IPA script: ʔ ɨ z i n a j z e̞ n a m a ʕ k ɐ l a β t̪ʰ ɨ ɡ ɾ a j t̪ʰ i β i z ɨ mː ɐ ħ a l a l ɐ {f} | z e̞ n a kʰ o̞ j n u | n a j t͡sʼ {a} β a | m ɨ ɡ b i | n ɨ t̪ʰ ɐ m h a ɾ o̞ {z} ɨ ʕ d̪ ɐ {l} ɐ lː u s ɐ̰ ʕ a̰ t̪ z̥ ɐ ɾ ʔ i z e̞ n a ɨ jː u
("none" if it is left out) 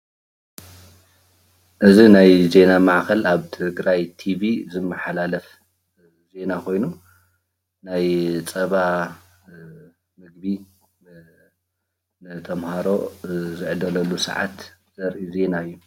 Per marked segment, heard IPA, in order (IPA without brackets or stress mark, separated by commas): f, ɐ, z, l